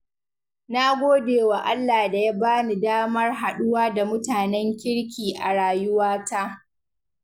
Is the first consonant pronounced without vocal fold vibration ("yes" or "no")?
no